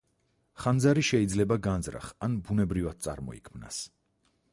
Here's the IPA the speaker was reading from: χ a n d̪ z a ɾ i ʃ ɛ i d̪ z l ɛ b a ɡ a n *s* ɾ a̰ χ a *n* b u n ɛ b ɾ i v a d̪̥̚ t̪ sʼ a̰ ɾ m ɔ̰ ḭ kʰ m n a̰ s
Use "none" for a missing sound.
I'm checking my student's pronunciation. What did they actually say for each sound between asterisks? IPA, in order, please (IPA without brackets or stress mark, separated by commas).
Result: z, n